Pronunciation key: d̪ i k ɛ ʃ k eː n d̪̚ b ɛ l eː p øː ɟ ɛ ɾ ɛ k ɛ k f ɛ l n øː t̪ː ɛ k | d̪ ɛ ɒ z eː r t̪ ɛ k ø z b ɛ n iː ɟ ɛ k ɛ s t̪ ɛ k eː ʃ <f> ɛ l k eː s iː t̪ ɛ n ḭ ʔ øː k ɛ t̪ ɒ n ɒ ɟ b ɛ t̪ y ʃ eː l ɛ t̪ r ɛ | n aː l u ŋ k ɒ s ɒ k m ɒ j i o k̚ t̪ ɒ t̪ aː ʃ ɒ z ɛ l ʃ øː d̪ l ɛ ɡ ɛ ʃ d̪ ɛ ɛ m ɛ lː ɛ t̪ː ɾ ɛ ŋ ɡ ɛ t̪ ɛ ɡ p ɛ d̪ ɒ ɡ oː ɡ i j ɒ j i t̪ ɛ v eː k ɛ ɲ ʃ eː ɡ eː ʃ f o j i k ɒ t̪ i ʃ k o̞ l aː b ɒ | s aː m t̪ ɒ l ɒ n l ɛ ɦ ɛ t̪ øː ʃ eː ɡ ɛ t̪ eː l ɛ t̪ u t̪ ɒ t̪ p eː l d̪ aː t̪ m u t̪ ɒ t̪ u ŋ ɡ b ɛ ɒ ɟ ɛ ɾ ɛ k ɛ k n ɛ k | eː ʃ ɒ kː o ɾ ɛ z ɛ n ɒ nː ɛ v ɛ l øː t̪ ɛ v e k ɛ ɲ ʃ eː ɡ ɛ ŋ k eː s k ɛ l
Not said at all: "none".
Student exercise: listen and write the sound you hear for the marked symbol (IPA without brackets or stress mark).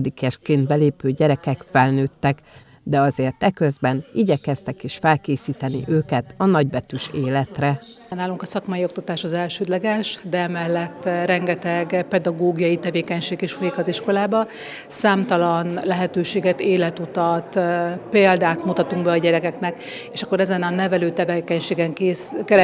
f